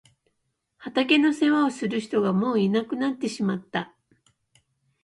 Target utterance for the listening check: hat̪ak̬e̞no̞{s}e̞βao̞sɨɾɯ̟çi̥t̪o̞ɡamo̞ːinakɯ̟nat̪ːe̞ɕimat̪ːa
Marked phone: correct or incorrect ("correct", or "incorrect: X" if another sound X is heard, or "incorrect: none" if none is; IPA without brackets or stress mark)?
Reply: correct